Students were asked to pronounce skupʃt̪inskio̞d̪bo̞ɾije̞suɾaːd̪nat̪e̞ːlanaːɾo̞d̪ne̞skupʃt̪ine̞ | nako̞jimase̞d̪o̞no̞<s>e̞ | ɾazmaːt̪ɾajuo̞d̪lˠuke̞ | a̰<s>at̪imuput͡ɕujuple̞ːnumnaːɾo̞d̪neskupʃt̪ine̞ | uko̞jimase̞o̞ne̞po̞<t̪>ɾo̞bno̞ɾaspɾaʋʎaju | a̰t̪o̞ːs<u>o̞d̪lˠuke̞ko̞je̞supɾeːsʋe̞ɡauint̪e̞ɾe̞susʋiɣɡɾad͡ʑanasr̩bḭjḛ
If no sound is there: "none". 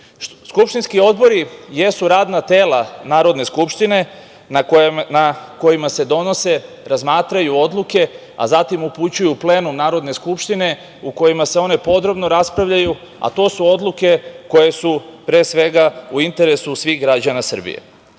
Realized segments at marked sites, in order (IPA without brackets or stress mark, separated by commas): s, z, d̪, u